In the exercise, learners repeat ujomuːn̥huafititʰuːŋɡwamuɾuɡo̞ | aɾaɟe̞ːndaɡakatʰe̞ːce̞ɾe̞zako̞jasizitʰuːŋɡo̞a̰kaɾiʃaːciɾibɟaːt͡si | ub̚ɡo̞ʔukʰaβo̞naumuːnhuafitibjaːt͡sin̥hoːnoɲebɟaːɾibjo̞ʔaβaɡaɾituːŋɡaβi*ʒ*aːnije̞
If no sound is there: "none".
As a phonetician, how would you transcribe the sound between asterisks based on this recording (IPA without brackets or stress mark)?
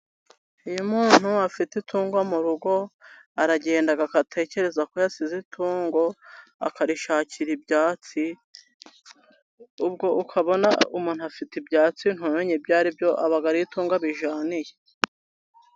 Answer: ʒ